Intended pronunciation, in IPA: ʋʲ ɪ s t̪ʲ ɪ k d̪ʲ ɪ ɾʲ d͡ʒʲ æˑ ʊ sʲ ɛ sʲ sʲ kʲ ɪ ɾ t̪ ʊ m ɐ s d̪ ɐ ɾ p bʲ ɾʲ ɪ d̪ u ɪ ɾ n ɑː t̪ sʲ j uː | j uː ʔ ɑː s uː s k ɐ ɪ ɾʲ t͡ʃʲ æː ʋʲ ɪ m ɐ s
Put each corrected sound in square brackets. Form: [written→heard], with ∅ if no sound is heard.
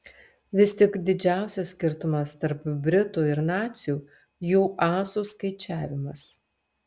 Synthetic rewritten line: ʋʲ ɪ s t̪ʲ ɪ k d̪ʲ ɪ [ɾʲ→∅] d͡ʒʲ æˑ ʊ sʲ ɛ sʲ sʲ kʲ ɪ ɾ t̪ ʊ m ɐ s [d̪→t̪] ɐ ɾ p bʲ ɾʲ ɪ [d̪→t̪] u ɪ ɾ n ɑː t̪ sʲ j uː | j uː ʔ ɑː s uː s k ɐ ɪ [ɾʲ→∅] t͡ʃʲ æː ʋʲ ɪ m ɐ s